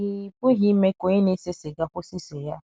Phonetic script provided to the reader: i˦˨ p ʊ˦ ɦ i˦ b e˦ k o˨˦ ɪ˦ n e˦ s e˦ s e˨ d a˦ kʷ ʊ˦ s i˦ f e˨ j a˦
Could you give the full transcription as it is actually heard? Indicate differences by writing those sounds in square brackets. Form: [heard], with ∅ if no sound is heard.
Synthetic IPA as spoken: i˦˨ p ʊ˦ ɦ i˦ [m] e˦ k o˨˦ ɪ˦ n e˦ s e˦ s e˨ [ɡ] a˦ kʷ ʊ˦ s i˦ [s] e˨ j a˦